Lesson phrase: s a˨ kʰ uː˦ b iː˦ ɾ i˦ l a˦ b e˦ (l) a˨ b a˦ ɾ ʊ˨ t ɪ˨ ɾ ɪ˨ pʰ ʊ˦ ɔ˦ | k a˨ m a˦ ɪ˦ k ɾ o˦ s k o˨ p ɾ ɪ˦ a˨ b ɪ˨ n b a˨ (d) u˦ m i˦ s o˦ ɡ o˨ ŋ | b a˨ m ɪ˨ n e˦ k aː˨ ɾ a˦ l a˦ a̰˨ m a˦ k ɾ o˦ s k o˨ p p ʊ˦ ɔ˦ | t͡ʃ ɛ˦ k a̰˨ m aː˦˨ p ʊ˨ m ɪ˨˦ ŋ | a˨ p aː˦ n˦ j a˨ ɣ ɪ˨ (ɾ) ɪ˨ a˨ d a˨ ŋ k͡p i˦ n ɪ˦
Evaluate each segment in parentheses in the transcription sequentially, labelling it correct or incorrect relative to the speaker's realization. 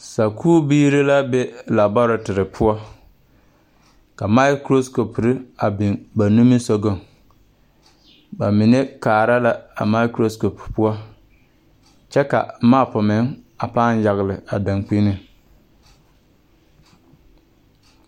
correct, incorrect: n, incorrect: l

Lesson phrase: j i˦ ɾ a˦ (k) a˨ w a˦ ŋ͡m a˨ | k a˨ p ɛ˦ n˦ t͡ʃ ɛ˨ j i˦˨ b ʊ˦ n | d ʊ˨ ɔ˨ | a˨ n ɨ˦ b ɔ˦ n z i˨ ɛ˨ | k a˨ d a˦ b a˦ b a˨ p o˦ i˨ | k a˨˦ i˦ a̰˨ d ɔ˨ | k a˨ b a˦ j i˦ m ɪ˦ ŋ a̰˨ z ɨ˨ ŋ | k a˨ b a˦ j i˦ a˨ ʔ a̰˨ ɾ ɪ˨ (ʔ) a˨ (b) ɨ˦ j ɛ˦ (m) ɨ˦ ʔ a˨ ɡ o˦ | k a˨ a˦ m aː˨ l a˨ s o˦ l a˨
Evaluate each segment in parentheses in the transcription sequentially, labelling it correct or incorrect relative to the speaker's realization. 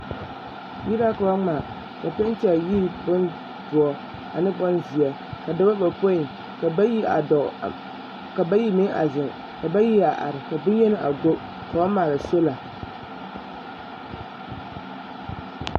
correct, incorrect: k, correct, incorrect: n

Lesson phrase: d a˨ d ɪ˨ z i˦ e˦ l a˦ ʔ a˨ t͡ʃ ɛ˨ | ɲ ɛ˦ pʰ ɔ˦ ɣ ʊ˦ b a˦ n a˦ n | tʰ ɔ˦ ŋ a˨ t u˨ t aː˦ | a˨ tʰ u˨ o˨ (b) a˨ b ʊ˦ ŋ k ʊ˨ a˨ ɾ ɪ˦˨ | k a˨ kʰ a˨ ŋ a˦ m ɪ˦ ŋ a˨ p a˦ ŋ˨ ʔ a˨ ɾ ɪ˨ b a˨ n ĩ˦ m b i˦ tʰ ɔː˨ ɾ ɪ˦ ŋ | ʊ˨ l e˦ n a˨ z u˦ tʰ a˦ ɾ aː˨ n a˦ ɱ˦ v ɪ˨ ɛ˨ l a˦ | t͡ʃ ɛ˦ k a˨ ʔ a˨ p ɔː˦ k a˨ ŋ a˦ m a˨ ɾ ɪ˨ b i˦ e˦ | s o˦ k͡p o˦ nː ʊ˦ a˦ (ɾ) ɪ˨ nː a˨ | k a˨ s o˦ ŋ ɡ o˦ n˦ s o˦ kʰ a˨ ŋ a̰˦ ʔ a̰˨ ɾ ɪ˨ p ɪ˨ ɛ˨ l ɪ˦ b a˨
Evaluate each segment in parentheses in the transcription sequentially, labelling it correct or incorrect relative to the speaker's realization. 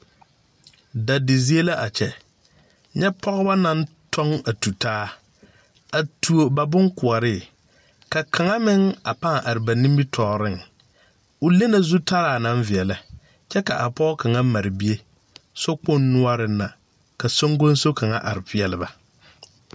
correct, correct

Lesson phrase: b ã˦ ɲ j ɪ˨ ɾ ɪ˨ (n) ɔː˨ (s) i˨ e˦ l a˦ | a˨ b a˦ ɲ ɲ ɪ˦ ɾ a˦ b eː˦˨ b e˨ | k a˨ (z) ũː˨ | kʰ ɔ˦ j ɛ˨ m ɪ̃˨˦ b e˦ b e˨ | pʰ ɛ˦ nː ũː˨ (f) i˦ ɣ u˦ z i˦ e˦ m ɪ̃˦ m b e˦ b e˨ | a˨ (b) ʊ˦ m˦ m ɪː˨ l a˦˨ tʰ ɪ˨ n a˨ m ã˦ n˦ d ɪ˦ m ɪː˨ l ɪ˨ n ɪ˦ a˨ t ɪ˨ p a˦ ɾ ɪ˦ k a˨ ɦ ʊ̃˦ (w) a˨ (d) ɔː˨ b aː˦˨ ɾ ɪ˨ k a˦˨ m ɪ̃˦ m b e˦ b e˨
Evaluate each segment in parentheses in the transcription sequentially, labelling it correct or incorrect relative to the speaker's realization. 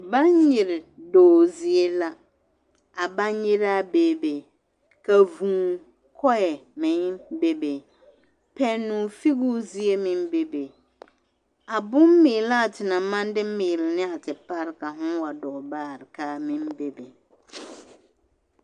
incorrect: d, incorrect: z, incorrect: v, correct, correct, correct, correct

